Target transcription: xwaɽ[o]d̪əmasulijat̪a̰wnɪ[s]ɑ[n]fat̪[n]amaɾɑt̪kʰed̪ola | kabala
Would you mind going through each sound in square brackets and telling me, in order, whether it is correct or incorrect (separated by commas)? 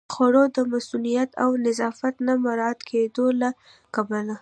correct, incorrect, incorrect, correct